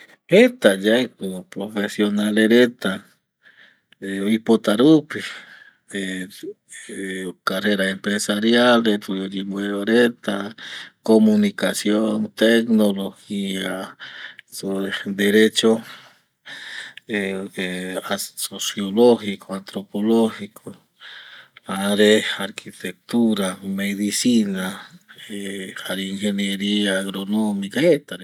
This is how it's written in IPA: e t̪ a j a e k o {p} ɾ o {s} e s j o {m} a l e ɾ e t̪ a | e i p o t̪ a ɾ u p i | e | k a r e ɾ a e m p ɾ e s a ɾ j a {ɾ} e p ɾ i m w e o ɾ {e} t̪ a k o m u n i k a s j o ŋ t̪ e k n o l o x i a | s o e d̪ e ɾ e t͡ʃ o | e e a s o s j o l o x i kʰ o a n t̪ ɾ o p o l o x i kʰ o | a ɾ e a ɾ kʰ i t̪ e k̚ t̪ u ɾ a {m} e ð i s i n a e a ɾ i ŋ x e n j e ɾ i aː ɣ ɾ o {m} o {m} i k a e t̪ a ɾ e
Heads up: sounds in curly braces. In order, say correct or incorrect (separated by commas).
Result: correct, incorrect, incorrect, incorrect, correct, correct, incorrect, correct